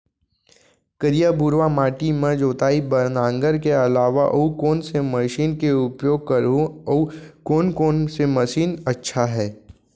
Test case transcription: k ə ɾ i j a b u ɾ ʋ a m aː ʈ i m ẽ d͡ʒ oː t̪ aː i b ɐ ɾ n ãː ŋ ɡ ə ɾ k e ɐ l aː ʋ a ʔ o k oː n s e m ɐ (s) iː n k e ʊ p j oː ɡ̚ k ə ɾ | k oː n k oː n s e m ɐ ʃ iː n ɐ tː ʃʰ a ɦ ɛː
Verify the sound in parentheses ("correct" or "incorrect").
incorrect